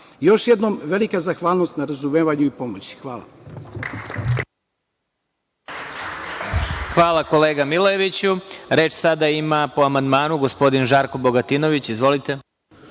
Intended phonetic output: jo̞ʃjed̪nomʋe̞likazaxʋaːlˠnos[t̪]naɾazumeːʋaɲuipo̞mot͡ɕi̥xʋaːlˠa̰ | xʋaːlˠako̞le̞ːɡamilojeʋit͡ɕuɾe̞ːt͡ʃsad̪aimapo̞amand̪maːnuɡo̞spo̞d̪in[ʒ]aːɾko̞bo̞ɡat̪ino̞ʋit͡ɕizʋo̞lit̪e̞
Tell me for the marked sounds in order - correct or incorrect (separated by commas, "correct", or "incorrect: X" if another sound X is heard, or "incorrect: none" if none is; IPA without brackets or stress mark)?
correct, correct